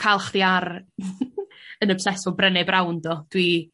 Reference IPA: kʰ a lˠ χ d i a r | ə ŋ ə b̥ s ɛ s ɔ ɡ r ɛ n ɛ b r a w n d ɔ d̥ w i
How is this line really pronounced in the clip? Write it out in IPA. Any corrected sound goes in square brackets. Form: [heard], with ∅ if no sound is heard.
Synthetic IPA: kʰ a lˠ χ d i a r | ə [n] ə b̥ s ɛ s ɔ [b] r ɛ n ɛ b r a w n d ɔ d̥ w i